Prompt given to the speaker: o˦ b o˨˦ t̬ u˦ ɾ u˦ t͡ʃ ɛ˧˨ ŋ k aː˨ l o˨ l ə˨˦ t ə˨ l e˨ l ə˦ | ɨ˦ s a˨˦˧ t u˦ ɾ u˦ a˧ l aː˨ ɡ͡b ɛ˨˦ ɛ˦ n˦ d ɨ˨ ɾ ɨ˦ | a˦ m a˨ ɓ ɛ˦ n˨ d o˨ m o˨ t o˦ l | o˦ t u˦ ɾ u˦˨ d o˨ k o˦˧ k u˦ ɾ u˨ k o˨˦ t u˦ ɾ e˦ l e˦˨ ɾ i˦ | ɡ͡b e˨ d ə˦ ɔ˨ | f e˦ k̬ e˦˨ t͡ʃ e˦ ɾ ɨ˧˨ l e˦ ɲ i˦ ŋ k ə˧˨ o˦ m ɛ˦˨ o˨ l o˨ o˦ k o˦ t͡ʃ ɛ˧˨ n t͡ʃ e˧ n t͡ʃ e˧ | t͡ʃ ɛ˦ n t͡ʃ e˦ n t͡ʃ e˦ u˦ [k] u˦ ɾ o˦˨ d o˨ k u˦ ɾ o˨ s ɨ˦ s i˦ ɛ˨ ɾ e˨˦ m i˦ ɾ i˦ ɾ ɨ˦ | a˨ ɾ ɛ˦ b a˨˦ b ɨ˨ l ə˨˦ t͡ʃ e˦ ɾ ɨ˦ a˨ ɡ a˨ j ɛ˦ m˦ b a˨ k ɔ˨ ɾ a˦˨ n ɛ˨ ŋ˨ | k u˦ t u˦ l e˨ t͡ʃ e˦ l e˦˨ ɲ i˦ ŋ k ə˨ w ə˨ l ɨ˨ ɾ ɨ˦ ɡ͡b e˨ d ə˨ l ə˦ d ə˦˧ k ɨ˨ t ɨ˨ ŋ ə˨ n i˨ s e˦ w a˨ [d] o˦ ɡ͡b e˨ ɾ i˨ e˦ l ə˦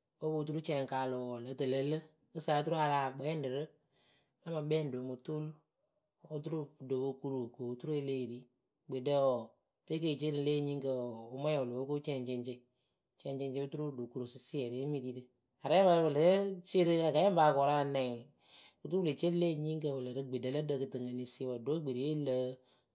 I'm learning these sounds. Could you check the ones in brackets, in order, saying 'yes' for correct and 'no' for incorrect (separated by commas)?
no, yes